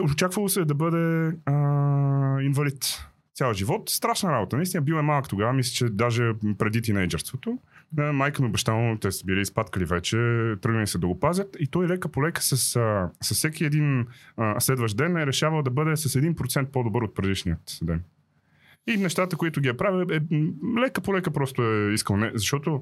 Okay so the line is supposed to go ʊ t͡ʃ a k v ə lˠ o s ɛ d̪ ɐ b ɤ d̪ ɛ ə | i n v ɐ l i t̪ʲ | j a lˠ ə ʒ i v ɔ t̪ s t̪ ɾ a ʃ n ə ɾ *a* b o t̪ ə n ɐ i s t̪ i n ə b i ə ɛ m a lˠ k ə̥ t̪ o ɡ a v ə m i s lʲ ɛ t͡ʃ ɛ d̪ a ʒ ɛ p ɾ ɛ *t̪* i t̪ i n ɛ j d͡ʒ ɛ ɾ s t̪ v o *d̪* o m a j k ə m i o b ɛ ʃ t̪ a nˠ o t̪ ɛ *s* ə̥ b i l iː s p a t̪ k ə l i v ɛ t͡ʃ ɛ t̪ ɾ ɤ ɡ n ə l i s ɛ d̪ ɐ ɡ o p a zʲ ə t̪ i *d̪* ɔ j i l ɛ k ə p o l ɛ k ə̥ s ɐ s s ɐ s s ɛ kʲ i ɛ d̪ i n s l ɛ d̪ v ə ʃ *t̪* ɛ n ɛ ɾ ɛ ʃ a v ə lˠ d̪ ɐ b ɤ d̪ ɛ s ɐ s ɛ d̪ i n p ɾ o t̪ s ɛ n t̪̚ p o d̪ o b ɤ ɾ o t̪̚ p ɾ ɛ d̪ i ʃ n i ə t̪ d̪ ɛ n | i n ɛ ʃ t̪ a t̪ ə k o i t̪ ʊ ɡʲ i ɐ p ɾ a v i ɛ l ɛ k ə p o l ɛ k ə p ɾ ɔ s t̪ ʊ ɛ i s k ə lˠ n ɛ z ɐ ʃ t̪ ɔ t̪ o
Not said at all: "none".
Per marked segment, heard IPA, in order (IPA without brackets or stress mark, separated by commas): a, d̪, t̪, s, t̪, d̪